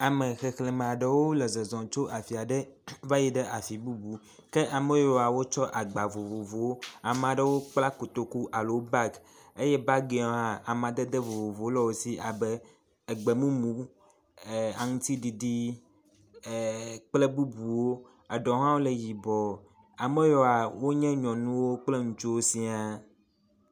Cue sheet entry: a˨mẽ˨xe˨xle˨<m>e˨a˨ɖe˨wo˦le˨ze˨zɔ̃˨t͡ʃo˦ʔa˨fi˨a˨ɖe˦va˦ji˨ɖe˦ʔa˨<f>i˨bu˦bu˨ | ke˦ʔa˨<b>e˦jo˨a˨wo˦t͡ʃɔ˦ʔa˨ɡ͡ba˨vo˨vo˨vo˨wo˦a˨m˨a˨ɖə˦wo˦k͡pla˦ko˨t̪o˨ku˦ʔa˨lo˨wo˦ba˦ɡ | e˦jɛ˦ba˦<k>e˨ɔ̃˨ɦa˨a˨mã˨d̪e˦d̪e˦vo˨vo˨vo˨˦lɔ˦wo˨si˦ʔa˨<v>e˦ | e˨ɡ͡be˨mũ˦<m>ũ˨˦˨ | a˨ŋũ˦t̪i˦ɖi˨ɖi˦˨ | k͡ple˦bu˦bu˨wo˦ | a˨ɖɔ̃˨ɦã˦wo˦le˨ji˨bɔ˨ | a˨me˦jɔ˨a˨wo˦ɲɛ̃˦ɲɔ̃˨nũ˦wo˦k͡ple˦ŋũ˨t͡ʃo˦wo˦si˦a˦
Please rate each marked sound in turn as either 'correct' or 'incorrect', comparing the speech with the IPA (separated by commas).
correct, correct, incorrect, incorrect, incorrect, correct